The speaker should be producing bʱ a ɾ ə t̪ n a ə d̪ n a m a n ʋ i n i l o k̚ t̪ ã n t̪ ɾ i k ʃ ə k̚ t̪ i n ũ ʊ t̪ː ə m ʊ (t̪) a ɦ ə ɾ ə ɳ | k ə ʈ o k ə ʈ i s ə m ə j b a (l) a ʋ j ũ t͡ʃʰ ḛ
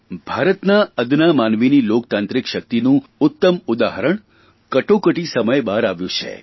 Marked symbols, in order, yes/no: no, no

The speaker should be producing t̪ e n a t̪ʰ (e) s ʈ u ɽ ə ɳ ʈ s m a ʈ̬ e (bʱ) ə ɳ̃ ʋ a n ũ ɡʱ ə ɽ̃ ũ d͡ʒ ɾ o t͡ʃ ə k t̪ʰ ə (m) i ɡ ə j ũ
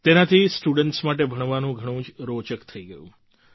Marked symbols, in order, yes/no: no, yes, no

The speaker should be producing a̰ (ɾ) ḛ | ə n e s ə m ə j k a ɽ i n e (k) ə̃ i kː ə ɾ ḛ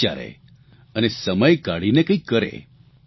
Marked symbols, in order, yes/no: yes, yes

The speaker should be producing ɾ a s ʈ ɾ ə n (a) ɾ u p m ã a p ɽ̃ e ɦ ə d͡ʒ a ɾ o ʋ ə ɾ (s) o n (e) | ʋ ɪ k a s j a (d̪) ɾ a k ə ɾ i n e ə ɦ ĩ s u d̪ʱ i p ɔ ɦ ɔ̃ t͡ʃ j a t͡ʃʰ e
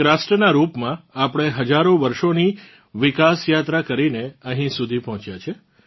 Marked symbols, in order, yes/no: yes, no, no, no

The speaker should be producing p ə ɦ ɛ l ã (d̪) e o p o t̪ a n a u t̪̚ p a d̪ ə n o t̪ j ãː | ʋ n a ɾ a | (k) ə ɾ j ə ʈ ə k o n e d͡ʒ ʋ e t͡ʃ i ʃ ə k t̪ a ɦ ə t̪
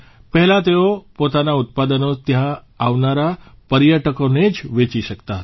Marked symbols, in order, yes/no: no, no

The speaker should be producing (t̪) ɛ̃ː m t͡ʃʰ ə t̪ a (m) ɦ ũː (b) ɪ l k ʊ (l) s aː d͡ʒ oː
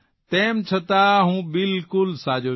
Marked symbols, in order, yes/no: yes, no, yes, yes

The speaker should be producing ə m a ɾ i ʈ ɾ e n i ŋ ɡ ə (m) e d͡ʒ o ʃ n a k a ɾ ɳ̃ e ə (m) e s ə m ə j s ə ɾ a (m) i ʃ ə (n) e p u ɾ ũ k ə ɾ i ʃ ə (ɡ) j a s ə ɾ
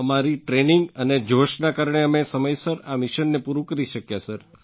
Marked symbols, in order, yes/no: no, yes, yes, no, no

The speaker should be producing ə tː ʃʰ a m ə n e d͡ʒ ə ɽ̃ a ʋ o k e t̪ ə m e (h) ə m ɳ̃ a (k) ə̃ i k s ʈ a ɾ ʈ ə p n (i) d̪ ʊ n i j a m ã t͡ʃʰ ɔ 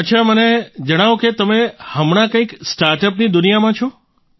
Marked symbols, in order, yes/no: yes, yes, yes

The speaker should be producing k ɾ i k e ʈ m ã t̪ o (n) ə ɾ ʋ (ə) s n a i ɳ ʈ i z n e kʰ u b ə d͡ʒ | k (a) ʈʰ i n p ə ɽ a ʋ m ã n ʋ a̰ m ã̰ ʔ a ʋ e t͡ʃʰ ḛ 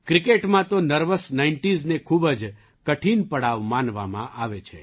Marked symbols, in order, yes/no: yes, yes, no

